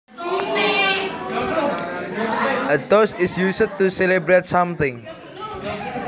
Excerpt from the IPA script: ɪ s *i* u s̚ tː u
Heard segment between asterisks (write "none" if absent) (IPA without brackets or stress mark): j